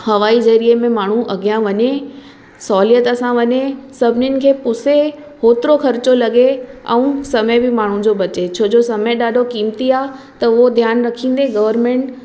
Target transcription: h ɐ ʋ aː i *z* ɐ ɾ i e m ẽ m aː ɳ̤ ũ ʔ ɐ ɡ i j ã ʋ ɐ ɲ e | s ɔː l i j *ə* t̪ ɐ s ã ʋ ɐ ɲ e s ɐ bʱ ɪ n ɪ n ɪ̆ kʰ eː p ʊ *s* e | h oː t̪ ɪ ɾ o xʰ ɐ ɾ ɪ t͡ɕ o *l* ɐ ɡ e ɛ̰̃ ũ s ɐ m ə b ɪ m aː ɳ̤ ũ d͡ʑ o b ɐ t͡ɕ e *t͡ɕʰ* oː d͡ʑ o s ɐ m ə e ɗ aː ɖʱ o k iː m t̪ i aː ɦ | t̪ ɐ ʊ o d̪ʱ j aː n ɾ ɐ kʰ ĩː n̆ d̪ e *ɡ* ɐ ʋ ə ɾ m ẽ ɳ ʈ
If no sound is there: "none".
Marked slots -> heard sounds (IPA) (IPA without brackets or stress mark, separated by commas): z, ə, s, l, t͡ɕʰ, ɡ